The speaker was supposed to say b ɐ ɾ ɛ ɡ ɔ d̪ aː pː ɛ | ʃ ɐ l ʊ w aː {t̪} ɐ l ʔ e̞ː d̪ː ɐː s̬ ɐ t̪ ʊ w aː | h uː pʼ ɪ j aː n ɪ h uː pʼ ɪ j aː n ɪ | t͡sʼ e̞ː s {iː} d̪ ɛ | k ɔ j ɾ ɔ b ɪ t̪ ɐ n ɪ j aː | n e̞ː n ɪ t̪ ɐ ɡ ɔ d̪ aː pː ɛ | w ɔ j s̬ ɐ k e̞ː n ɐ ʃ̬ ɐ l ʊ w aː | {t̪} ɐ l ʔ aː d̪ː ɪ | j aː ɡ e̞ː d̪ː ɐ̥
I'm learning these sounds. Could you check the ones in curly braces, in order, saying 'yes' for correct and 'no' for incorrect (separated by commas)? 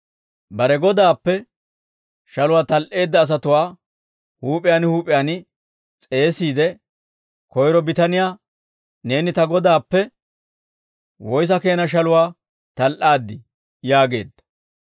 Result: yes, yes, yes